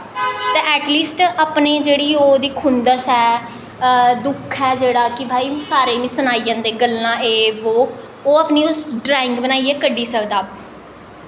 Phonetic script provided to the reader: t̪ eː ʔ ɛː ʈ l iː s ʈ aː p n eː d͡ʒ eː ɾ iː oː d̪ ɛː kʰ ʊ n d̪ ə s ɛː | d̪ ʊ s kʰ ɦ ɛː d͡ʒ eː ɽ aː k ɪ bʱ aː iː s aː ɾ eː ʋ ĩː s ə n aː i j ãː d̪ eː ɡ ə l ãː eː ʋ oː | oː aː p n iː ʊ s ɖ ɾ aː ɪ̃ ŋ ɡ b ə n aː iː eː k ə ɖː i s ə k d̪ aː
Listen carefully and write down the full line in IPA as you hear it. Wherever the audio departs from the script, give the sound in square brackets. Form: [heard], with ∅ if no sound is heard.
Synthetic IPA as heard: t̪ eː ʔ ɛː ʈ l iː s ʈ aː p n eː d͡ʒ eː [ɽ] iː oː d̪ [iː] kʰ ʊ n d̪ ə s ɛː | d̪ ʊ [∅] kʰ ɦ ɛː d͡ʒ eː ɽ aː k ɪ bʱ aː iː s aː ɾ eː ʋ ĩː s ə n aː i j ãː d̪ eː ɡ ə l ãː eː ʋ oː | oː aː p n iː ʊ s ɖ ɾ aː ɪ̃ ŋ ɡ b ə n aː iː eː k ə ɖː [iː] s ə k d̪ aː